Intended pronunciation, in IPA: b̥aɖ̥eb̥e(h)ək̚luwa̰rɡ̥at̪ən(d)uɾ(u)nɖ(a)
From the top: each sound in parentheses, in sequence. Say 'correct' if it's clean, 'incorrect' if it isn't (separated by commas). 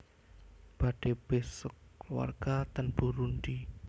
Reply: incorrect, incorrect, correct, incorrect